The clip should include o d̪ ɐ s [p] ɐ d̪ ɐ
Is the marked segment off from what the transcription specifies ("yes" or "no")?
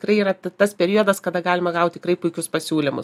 yes